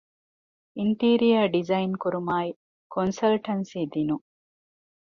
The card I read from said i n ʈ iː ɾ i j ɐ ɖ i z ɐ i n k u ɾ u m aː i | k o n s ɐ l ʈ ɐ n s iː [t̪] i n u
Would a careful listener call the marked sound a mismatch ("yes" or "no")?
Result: yes